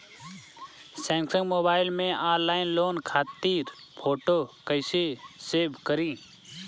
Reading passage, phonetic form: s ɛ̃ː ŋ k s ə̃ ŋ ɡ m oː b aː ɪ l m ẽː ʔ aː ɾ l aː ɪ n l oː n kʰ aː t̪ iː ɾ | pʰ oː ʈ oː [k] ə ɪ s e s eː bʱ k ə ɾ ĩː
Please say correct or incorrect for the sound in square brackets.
correct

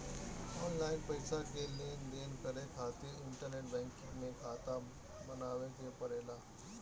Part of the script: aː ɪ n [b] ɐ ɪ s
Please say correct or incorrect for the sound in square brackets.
incorrect: p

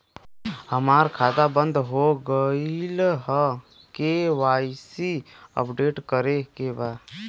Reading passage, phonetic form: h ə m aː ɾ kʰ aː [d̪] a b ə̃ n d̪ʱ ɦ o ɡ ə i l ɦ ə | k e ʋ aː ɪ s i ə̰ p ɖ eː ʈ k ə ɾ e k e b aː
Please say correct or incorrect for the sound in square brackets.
correct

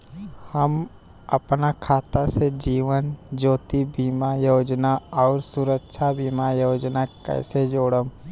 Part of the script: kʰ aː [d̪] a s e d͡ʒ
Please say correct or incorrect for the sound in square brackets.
incorrect: t̪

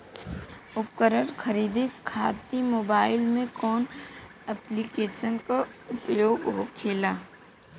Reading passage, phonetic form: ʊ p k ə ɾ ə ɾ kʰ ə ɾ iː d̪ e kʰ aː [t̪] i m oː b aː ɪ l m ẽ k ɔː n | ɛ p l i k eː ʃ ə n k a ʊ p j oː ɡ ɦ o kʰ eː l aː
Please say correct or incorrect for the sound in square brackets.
correct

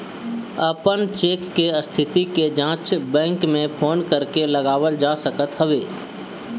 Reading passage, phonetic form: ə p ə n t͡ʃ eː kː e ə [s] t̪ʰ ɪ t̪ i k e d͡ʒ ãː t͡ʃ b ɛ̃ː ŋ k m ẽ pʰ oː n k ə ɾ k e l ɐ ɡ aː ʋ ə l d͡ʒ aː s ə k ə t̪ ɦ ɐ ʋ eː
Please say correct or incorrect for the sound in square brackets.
correct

